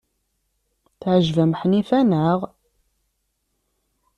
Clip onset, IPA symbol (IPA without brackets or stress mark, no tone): θ